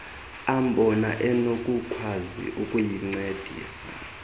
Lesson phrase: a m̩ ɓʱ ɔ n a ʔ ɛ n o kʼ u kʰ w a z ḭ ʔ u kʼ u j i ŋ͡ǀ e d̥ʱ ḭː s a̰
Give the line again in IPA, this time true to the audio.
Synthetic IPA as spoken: a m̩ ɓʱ ɔ n a ʔ ɛ n o kʼ u kʰ w a z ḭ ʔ u kʼ u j i ŋ͡ǀ e d̥ʱ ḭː s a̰